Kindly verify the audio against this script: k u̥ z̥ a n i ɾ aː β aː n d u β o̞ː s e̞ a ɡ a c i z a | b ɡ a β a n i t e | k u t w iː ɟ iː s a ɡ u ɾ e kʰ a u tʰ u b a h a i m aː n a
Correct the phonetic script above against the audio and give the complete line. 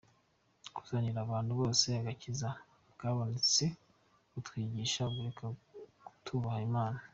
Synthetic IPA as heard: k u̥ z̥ a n i ɾ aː β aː n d u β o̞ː s e̞ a ɡ a c i z a | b ɡ a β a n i t͡s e | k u t w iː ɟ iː ʃ a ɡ u ɾ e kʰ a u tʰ u β a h a i m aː n a